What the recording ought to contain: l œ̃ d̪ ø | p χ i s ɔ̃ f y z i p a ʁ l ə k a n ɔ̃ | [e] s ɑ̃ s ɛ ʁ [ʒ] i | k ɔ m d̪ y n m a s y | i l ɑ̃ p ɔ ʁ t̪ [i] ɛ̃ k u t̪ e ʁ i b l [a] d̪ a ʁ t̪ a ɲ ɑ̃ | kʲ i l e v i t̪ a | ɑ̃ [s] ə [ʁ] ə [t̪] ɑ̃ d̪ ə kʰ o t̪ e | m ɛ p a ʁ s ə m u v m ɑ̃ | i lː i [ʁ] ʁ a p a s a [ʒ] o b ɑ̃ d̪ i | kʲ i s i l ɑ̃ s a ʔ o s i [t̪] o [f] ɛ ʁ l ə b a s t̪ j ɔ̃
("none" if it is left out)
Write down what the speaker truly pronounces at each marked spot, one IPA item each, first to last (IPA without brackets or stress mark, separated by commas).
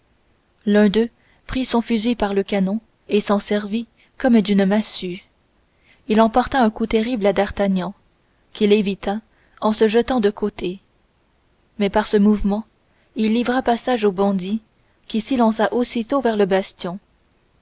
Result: e, v, a, a, s, ʒ, t̪, v, ʒ, t̪, v